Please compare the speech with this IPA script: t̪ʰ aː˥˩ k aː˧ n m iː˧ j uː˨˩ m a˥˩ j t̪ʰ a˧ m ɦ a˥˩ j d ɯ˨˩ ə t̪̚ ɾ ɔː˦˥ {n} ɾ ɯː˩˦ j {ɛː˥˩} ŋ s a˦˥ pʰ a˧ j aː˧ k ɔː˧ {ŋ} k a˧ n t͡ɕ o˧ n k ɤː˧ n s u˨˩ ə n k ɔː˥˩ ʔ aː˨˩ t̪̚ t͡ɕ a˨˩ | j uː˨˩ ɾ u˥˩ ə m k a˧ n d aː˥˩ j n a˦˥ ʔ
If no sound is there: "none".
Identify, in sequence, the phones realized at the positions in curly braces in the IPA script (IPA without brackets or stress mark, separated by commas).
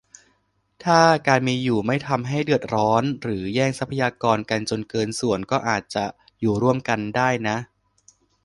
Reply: n, ɛː˥˩, n